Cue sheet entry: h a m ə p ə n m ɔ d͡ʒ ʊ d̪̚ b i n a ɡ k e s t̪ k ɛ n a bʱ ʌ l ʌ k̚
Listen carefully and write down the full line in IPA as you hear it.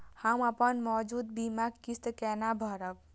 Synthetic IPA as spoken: h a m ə p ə n m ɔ d͡ʒ u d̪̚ b i m a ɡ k i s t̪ k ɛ n a bʱ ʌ ɾ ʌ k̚